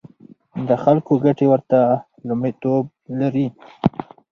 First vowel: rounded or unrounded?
unrounded